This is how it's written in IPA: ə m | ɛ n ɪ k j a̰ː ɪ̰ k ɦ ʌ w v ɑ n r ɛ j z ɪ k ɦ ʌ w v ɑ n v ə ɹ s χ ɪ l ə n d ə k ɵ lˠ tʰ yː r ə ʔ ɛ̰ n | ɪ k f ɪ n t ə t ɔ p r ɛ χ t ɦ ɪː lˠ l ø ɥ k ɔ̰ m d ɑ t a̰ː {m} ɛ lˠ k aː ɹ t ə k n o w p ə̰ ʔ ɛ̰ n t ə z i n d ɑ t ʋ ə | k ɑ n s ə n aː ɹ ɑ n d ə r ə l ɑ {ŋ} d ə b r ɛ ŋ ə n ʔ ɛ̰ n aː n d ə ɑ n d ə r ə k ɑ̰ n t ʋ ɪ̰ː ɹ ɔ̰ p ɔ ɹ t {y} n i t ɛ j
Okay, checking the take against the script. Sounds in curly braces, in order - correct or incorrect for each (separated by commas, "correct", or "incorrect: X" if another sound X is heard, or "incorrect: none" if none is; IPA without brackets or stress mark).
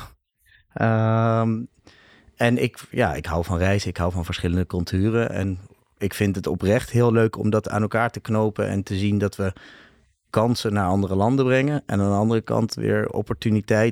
incorrect: n, incorrect: n, correct